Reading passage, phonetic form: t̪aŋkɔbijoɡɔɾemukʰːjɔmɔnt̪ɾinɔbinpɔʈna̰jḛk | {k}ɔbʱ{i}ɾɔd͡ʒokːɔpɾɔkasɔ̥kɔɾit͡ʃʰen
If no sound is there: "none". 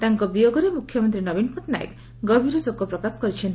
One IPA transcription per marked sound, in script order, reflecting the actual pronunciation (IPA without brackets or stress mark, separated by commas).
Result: ɡ, i